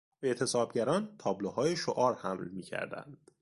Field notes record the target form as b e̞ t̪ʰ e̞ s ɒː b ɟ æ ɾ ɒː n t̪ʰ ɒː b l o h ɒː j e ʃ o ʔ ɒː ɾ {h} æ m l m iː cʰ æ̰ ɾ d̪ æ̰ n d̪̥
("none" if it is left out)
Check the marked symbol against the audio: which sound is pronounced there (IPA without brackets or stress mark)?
h